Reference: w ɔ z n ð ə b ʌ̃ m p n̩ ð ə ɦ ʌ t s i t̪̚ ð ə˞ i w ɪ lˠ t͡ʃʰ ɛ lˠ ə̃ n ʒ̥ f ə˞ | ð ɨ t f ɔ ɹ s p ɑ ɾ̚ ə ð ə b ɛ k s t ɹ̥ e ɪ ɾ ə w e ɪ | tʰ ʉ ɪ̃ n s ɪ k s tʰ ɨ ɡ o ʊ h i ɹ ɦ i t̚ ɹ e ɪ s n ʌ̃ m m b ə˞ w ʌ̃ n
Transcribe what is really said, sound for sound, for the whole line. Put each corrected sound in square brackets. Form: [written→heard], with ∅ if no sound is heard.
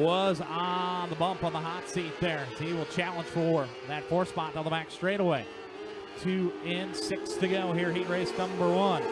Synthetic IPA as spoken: w [ɔ→ʌ] z n ð ə b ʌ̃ m p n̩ ð ə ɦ [ʌ→ɑ] t s i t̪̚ ð ə˞ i w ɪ lˠ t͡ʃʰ [ɛ→æ] lˠ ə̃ n ʒ̥ f ə˞ | ð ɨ t f ɔ ɹ s p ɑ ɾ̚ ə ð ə b [ɛ→æ] k s t ɹ̥ e ɪ ɾ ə w e ɪ | tʰ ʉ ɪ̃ n s ɪ k s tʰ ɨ ɡ o ʊ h i ɹ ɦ i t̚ ɹ e ɪ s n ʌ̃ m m b ə˞ w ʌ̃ n